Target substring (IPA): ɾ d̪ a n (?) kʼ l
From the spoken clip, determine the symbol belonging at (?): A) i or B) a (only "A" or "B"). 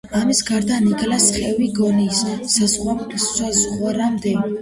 A